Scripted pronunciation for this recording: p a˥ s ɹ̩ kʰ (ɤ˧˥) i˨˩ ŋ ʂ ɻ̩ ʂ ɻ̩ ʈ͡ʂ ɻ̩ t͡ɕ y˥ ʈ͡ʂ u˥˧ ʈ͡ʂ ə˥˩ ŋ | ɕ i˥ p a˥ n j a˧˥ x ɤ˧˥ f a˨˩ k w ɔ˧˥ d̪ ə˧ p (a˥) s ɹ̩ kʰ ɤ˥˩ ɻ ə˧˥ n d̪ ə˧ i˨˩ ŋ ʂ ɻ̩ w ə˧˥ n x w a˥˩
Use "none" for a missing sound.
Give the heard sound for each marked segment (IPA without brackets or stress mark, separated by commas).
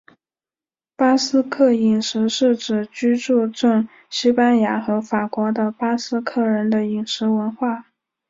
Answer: ɤ˥˩, a˥